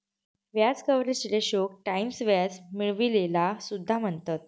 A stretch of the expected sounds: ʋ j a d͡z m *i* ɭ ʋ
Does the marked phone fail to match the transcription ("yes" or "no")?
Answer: no